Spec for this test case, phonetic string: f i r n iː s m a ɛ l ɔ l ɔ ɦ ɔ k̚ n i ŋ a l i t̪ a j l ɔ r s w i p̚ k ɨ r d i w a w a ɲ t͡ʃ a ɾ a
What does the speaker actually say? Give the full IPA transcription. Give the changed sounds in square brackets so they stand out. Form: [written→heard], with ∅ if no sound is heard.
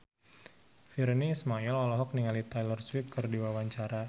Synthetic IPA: f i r n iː s m a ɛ l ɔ l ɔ ɦ ɔ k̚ n i ŋ a l i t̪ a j l ɔ r s w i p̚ k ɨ r d i w a w a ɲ t͡ʃ a ɾ a